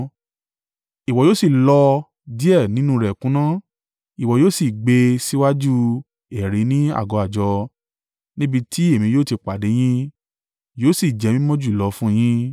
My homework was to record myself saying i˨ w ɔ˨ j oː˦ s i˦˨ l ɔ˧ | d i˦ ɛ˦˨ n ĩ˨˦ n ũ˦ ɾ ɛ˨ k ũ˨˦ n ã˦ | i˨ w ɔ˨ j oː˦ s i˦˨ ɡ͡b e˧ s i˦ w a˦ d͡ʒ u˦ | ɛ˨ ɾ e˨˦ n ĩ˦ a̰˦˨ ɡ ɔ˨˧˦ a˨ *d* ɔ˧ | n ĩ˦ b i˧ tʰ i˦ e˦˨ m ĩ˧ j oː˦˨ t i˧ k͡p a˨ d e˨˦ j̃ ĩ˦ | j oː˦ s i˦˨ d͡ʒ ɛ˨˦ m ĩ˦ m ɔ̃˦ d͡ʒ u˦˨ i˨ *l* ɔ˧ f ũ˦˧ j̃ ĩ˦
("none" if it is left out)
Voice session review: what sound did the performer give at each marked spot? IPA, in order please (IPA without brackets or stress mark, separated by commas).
d͡ʒ, l